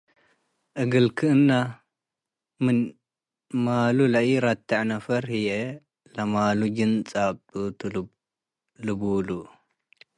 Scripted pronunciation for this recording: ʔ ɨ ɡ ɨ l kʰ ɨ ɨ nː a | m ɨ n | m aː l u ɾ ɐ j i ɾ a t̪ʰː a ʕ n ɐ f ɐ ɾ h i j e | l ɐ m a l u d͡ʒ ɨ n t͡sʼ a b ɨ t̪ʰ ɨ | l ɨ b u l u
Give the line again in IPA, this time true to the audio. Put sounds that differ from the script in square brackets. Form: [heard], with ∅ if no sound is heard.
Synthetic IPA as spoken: ʔ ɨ ɡ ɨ l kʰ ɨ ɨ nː a | m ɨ n | m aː l u [l] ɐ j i ɾ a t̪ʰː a ʕ n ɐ f ɐ ɾ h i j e | l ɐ m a l u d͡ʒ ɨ n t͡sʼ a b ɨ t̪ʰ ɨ | l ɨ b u l u